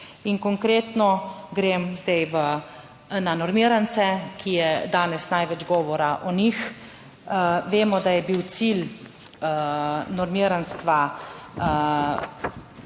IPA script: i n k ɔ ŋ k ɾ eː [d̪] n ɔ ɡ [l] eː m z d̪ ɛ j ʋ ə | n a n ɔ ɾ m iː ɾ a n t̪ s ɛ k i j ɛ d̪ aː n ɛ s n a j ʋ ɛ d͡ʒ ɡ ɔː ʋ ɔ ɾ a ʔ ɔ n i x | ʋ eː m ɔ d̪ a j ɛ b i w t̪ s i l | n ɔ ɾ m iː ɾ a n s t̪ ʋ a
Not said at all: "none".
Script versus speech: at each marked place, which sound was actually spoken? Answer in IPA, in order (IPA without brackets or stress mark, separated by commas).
t̪, ɾ